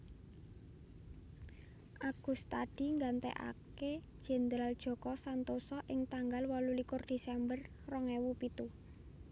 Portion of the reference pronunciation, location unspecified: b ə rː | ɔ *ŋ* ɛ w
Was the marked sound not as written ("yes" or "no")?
no